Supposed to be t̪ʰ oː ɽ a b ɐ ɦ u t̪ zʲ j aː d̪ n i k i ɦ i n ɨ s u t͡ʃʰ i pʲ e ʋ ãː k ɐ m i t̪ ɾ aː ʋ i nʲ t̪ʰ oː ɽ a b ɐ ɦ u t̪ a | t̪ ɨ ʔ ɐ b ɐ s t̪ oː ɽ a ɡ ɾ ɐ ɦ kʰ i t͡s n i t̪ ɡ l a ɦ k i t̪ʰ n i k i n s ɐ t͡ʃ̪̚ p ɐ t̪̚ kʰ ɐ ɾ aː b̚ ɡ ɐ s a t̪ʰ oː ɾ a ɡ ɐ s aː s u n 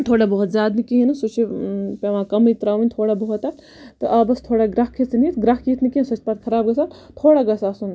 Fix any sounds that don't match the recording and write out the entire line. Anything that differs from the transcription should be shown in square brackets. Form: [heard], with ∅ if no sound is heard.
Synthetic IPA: t̪ʰ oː ɽ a b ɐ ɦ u t̪ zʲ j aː d̪ n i k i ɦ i n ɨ s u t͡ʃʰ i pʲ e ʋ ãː k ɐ m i t̪ ɾ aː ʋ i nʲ t̪ʰ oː ɽ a b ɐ ɦ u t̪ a | t̪ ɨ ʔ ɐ b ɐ s [t̪ʰ] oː ɽ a ɡ ɾ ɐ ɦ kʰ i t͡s n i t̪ ɡ [ɾ] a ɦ k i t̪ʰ n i k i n s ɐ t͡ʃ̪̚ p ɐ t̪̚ kʰ ɐ ɾ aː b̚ ɡ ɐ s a t̪ʰ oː [ɽ] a ɡ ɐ s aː s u n